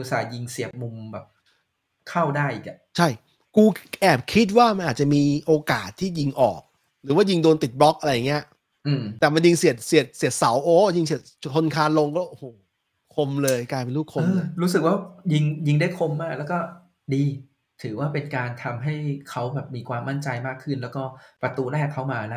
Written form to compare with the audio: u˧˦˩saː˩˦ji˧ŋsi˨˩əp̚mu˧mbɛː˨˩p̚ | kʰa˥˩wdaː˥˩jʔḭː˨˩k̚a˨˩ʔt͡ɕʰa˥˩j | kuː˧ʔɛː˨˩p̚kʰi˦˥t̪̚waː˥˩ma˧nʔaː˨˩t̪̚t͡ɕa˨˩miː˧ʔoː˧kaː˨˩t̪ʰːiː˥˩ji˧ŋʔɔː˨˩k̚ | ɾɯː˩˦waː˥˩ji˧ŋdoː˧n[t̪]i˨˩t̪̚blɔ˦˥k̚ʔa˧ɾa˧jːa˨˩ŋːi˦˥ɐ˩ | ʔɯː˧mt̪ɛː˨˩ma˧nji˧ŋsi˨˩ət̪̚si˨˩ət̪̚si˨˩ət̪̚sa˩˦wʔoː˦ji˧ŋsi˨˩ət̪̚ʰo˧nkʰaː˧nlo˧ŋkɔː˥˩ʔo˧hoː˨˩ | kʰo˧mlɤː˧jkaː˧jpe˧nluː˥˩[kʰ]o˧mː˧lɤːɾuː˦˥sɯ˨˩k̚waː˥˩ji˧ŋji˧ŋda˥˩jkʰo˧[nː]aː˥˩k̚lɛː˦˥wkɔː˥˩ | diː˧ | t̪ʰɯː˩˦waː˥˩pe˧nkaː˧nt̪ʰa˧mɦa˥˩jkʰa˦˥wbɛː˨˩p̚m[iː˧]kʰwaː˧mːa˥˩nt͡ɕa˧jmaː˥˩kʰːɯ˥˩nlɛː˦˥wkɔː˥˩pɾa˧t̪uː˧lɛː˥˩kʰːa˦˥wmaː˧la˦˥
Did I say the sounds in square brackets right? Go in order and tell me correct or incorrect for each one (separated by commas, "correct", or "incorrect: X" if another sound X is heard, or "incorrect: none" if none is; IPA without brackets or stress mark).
correct, correct, incorrect: mː, correct